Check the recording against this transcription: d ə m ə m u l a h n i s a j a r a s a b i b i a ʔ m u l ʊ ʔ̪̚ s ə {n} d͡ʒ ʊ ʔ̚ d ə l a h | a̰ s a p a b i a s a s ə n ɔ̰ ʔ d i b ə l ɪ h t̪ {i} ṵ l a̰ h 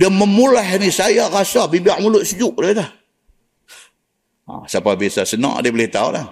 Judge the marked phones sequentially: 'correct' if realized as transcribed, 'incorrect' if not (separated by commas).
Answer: incorrect, incorrect